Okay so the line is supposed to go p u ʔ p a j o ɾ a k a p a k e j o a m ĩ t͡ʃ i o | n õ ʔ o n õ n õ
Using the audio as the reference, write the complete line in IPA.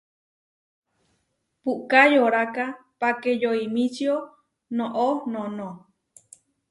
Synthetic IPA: p u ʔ k a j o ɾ a k a p a k e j o i m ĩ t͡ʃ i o | n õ ʔ o n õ n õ

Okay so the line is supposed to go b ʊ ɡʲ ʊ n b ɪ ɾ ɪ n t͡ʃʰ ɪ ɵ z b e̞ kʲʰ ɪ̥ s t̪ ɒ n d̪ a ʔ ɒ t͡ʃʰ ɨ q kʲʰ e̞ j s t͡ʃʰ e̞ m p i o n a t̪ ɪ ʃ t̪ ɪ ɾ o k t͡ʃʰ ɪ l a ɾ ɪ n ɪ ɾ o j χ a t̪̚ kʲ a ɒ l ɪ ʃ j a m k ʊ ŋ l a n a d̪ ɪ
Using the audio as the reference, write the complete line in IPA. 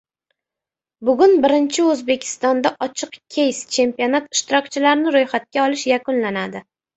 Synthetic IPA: b ʊ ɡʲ ʊ n b ɪ ɾ ɪ n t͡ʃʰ ɪ ɵ z b e̞ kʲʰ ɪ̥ s t̪ ɒ n d̪ a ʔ ɒ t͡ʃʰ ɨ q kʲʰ e̞ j s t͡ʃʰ e̞ m p i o n a t̪ ɪ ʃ t̪ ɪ ɾ ɒ k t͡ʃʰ ɪ l a ɾ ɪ n ɪ ɾ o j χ a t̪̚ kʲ a ɒ l ɪ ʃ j a k ʊ n l a n a d̪ ɪ

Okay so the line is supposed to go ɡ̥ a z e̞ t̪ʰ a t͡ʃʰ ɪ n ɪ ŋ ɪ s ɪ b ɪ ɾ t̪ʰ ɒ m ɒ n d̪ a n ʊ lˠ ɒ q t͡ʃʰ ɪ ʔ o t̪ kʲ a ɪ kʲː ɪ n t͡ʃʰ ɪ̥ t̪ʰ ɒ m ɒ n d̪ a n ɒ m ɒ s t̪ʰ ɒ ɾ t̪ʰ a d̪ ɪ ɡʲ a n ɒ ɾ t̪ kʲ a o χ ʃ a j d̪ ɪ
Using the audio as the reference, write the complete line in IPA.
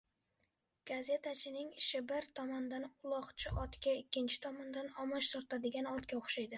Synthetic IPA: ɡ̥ a z e̞ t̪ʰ a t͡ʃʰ ɪ n ɪ ŋ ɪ ʃ ɪ b ɪ ɾ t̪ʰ ɒ m ɒ n d̪ a n ʊ lˠ ɒ q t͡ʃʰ ɪ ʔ ɒ t̪ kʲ a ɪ kʲː ɪ n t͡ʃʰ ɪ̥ t̪ʰ ɒ m ɒ n d̪ a n ɒ m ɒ ʃ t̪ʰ ɒ ɾ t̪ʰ a d̪ ɪ ɡʲ a n ɒ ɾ t̪ kʲ a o χ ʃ a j d̪ ɪ

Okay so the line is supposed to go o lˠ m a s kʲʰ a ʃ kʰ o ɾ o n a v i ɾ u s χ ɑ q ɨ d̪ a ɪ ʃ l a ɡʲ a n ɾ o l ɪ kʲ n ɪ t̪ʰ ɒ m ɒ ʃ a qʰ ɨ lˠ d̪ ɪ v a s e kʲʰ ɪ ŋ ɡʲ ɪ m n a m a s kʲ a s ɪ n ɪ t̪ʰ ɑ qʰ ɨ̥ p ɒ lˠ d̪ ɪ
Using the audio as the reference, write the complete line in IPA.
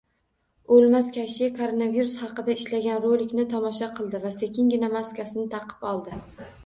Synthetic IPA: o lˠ m a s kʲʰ a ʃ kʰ o ɾ o n a v i ɾ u s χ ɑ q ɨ d̪ a ɪ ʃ l a ɡʲ a n ɾ o l ɪ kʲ n ɪ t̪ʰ ɒ m ɒ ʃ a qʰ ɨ lˠ d̪ ɪ v a s e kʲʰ ɪ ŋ ɡʲ ɪ n a m a s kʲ a s ɪ n ɪ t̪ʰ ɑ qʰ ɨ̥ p ɒ lˠ d̪ ɪ

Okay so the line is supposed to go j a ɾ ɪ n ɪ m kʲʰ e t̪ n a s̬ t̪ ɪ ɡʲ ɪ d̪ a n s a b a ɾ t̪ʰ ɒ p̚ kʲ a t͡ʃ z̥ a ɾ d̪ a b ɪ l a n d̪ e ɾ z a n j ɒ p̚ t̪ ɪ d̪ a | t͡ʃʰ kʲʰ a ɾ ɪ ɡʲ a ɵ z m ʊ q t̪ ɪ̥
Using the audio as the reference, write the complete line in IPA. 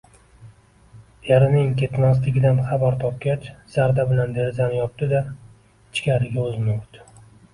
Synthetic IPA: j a ɾ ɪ n ɪ ŋ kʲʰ e t̪ n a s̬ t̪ ɪ ɡʲ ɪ d̪ a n χ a b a ɾ t̪ʰ ɒ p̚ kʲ a t͡ʃ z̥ a ɾ d̪ a b ɪ l a n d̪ e ɾ z a n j ɒ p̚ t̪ ɪ d̪ a | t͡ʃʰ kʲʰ a ɾ ɪ ɡʲ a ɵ z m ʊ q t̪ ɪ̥

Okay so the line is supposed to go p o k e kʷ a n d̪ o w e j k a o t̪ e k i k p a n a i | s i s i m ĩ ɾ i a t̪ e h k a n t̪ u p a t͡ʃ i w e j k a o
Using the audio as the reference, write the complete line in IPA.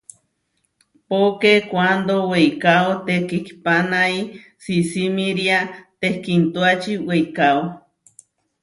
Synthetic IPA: p o k e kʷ a n d̪ o w e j k a o t̪ e k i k p a n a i | s i s i m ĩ ɾ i a t̪ e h k i n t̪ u a t͡ʃ i w e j k a o

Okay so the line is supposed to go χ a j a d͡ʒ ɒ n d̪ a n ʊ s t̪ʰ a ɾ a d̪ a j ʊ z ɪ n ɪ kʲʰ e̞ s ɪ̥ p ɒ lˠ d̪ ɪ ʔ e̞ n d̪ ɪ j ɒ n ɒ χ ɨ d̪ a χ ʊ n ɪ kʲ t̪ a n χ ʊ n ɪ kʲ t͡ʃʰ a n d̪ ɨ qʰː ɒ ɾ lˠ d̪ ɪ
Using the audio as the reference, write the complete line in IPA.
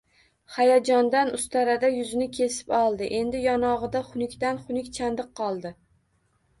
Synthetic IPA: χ a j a d͡ʒ ɒ n d̪ a n ʊ s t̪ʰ a ɾ a d̪ a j ʊ z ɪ n ɪ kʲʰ e̞ s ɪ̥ p ɒ lˠ d̪ ɪ ʔ e̞ n d̪ ɪ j ɒ n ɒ ʁ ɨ d̪ a χ ʊ n ɪ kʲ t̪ a n χ ʊ n ɪ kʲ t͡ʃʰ a n d̪ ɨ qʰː ɒ lˠ d̪ ɪ

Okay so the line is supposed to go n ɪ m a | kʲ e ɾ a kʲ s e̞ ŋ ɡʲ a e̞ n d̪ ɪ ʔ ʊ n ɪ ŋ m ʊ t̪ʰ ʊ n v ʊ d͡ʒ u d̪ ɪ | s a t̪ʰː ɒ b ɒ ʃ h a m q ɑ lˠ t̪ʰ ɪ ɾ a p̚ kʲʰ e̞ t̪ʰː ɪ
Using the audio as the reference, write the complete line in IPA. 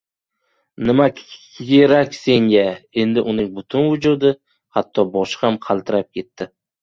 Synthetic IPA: n ɪ m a | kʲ e ɾ a kʲ s e̞ ŋ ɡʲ a e̞ n d̪ ɪ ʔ ʊ n ɪ ŋ b ʊ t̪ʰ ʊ n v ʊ d͡ʒ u d̪ ɪ | h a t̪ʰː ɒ b ɒ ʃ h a m qʰ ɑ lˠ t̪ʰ ɪ ɾ a p̚ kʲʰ e̞ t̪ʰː ɪ

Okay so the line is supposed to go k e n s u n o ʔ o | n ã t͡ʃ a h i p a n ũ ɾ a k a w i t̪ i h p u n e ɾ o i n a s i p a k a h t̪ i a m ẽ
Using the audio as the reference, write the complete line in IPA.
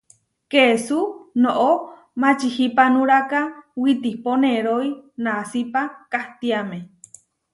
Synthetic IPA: k e s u n o ʔ o | m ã t͡ʃ i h i p a n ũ ɾ a k a w i t̪ i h p o n e ɾ o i n a s i p a k a h t̪ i a m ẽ

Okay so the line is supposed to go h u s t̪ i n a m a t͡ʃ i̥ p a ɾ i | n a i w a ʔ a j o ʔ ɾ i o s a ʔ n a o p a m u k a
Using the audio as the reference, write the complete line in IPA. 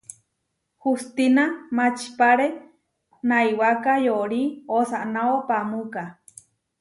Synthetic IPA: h u s t̪ i n a m a t͡ʃ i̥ p a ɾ e | n a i w a k a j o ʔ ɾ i o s a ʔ n a o p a m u k a

